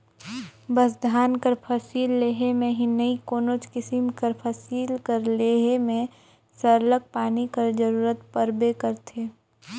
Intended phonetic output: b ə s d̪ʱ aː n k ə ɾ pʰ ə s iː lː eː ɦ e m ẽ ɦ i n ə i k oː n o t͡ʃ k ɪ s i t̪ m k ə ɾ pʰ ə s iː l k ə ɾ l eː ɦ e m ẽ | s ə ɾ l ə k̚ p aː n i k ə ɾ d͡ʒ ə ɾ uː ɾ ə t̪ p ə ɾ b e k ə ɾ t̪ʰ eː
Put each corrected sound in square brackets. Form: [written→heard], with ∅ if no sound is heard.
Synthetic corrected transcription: b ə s d̪ʱ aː n k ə ɾ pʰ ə s iː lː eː ɦ e m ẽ ɦ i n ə i k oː n o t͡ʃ k ɪ s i [t̪→∅] m k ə ɾ pʰ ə s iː l k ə ɾ l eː ɦ e m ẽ | s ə ɾ l ə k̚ p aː n i k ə ɾ d͡ʒ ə ɾ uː ɾ ə t̪ p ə ɾ b e k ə ɾ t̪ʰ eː